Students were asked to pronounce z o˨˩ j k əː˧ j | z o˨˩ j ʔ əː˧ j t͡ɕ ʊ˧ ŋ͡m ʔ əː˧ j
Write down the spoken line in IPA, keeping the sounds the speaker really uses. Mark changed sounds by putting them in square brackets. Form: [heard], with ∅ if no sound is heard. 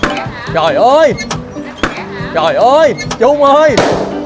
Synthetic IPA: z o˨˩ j [ʔ] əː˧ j | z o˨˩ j ʔ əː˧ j t͡ɕ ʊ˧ ŋ͡m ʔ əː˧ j

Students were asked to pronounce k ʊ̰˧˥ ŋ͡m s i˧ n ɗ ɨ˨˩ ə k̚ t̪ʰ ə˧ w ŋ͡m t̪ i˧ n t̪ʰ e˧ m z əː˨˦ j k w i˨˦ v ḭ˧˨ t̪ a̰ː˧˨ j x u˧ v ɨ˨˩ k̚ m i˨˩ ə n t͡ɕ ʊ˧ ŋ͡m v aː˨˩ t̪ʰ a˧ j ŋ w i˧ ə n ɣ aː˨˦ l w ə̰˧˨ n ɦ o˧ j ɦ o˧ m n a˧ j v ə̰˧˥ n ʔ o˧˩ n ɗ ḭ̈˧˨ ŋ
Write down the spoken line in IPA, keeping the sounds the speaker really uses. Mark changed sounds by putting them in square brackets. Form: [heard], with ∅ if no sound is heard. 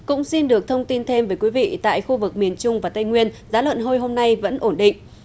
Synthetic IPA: k ʊ̰˧˥ ŋ͡m s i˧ n ɗ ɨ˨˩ ə k̚ t̪ʰ ə˧ w ŋ͡m t̪ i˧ n t̪ʰ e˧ m [v] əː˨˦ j k w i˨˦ v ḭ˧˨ t̪ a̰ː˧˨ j x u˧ v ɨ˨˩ k̚ m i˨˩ ə n t͡ɕ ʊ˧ ŋ͡m v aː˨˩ [t̪] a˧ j ŋ w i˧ ə n [z] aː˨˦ l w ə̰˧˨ n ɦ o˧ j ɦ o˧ m n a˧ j v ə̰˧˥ n ʔ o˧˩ n ɗ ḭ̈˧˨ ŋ

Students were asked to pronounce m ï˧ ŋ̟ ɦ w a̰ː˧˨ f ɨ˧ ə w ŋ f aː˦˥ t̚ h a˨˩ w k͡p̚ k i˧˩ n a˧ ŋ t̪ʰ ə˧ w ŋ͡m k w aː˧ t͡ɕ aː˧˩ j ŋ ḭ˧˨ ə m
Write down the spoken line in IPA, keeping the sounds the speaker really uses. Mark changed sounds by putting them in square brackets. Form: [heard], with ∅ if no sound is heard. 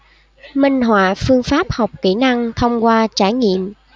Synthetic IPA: m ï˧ ŋ̟ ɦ w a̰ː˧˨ f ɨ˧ ə [∅] ŋ f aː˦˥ [p̚] h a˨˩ w k͡p̚ k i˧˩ n a˧ ŋ t̪ʰ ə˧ w ŋ͡m k w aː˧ t͡ɕ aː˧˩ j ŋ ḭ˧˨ ə m

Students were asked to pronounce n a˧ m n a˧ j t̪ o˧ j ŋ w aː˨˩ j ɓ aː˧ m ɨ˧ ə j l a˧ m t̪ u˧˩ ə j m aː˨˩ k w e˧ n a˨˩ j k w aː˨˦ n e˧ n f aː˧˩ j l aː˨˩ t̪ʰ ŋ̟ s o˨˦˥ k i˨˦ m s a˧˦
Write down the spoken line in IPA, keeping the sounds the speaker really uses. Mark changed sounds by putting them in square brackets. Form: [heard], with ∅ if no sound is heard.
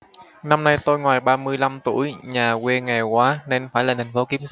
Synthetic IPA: n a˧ m n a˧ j t̪ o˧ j ŋ w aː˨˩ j ɓ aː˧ m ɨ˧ ə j l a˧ m t̪ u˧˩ ə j [ɲ] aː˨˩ k w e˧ [ŋ] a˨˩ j k w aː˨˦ n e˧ n f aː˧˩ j l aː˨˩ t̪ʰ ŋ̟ [f] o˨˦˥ k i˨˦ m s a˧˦

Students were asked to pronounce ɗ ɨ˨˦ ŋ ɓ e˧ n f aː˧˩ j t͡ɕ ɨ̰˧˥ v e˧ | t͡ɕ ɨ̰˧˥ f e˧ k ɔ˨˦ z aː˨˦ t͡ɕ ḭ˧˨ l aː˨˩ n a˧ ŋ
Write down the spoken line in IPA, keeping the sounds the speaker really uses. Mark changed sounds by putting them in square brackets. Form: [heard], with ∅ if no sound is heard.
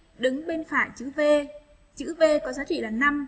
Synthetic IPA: ɗ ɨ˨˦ ŋ ɓ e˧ n f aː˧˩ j t͡ɕ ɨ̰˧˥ v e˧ | t͡ɕ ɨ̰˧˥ [v] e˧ k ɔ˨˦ z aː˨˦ t͡ɕ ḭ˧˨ l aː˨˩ n a˧ [m]

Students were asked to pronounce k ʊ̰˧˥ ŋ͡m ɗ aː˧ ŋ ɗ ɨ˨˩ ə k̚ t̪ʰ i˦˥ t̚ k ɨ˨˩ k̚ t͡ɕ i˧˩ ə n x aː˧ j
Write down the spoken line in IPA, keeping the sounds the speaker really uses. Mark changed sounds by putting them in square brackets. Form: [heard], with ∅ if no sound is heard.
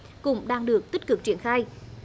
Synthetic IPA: k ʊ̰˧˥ ŋ͡m ɗ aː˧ ŋ ɗ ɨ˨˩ ə k̚ [t̪] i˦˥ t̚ k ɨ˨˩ k̚ t͡ɕ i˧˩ ə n x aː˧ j

